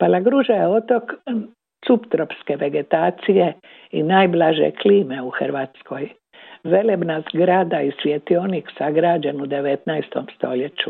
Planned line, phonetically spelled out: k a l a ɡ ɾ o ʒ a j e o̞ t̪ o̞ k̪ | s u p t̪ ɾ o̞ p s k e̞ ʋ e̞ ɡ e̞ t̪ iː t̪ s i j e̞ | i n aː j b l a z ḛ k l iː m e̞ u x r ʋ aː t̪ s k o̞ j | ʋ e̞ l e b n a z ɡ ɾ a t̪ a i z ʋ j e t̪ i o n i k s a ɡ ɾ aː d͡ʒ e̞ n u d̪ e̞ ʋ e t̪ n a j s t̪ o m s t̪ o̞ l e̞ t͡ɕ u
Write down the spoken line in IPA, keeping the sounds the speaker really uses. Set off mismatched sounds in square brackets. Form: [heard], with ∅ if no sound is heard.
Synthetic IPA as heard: [p] a l a ɡ ɾ [u] ʒ a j e o̞ t̪ o̞ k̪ | s u p t̪ ɾ o̞ p s k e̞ ʋ e̞ ɡ e̞ t̪ [aː] t̪ s i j e̞ | i n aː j b l a [ʒ] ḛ k l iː m e̞ u x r ʋ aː t̪ s k o̞ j | ʋ e̞ l e b n a z ɡ ɾ a [d̪] a i [s] ʋ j e t̪ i o n i k s a ɡ ɾ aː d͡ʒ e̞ n u d̪ e̞ ʋ e t̪ n a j s t̪ o m s t̪ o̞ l e̞ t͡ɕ u